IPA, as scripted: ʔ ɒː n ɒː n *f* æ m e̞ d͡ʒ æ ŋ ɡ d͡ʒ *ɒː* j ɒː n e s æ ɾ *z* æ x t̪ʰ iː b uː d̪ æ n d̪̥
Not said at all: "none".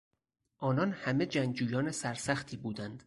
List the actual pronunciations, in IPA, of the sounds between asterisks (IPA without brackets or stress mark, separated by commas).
h, uː, s